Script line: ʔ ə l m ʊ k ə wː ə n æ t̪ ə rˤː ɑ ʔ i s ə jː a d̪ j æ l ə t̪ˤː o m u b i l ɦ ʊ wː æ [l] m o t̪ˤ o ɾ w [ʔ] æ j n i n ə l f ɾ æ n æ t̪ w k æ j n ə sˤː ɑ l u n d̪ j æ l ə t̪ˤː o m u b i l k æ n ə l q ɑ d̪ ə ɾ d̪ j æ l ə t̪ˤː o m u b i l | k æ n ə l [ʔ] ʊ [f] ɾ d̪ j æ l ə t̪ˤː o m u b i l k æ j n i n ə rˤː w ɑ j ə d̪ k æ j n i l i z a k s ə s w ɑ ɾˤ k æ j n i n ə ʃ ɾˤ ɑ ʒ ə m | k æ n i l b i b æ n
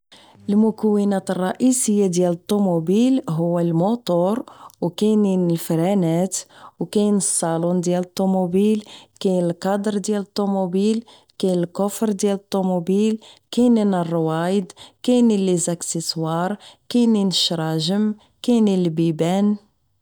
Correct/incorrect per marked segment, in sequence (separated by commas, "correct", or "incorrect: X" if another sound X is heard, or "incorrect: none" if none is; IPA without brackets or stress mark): correct, incorrect: k, incorrect: k, correct